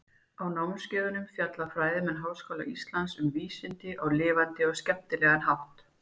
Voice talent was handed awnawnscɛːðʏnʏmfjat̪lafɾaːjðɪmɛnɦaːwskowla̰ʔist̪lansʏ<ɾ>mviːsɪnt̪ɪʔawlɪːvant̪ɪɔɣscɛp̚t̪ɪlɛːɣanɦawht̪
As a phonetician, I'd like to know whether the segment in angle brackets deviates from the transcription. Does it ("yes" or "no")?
yes